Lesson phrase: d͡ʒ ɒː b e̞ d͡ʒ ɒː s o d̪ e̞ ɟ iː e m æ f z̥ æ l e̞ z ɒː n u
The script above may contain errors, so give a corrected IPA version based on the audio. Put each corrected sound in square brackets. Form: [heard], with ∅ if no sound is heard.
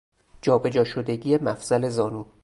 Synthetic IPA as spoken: d͡ʒ ɒː b e̞ d͡ʒ ɒː [ʃ] o d̪ e̞ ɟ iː e m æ f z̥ æ l e̞ z ɒː n u